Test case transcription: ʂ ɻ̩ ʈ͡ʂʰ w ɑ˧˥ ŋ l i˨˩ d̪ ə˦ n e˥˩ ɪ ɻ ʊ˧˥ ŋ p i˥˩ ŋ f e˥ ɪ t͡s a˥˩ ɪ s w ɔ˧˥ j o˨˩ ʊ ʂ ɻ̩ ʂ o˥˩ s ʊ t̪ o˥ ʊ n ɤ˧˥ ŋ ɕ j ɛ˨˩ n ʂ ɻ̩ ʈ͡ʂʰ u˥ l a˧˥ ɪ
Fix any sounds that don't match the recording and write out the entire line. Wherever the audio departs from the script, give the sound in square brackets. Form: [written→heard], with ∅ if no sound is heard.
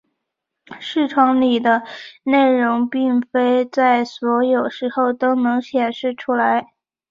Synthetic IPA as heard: ʂ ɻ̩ ʈ͡ʂʰ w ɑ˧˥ ŋ l i˨˩ d̪ ə˦ n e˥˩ ɪ ɻ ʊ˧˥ ŋ p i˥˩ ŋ f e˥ ɪ t͡s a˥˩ ɪ s w ɔ˧˥ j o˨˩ ʊ ʂ ɻ̩ [ʂ→x] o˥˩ [s→∅] ʊ t̪ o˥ ʊ n ɤ˧˥ ŋ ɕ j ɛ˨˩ n ʂ ɻ̩ ʈ͡ʂʰ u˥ l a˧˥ ɪ